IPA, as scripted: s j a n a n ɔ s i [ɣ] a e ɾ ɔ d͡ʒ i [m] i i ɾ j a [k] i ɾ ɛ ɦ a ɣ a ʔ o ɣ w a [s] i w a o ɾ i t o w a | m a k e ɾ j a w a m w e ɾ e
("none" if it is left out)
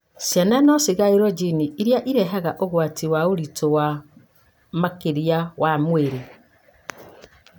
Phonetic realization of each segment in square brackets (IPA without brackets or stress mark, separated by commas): ɣ, n, ʔ, t